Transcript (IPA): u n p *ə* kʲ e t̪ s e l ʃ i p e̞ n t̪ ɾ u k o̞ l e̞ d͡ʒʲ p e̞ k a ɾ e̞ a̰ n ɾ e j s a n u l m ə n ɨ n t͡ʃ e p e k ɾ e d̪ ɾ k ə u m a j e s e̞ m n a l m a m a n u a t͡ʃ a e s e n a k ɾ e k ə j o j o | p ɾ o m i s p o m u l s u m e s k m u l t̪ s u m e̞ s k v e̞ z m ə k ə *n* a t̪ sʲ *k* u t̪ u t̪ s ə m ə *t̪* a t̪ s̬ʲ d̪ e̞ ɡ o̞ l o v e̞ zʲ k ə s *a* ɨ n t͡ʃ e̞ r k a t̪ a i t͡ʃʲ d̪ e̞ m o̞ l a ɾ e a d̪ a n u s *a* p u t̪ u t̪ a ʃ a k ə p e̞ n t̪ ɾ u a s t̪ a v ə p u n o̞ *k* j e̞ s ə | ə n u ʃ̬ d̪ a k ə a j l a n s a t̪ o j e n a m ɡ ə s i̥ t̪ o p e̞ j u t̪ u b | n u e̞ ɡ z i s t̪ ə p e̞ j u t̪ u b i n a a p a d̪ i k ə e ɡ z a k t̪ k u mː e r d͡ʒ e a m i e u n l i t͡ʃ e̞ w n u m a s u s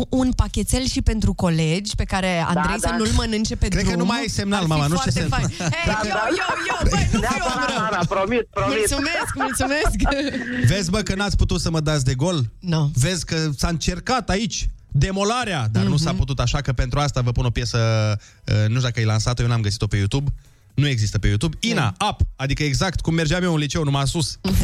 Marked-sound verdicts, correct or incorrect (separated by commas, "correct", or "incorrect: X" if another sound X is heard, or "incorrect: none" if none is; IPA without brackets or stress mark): incorrect: a, correct, incorrect: p, incorrect: d̪, correct, correct, incorrect: p